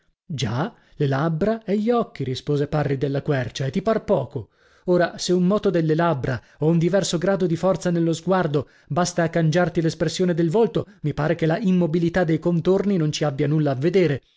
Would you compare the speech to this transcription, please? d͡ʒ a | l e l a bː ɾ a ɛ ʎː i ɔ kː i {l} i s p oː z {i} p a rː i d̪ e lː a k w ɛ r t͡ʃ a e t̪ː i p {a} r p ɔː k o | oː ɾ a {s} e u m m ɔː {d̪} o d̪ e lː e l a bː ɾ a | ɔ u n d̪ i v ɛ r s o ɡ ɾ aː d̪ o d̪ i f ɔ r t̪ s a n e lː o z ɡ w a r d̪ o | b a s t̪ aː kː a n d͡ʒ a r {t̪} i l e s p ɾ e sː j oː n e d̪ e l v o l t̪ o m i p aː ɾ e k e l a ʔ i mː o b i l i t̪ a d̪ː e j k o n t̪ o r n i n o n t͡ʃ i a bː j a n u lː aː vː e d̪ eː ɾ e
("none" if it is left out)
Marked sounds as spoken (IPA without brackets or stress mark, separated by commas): ɾ, e, a, s, t̪, t̪